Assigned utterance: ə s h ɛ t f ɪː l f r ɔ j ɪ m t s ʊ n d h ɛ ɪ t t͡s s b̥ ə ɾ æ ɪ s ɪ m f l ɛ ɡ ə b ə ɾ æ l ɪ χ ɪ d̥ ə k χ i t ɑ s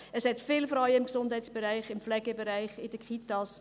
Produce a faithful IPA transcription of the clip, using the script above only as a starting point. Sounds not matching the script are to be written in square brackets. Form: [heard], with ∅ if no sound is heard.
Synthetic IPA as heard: ə s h ɛ t f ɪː l f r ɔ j ɪ m [k] s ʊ n d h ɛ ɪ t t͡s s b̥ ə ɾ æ ɪ [χ] ɪ m f l ɛ ɡ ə b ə ɾ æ [∅] ɪ χ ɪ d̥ ə k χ i t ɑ s